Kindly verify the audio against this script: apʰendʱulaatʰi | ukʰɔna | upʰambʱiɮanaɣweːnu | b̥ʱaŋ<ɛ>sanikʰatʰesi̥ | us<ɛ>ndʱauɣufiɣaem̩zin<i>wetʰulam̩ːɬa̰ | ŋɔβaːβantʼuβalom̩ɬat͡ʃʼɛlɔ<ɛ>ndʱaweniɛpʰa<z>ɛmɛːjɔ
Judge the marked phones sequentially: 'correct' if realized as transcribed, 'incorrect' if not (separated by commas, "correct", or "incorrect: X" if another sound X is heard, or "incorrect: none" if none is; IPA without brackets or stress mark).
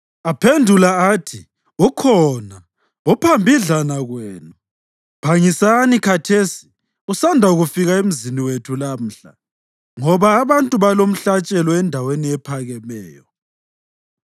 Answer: incorrect: i, incorrect: a, correct, correct, incorrect: ɣ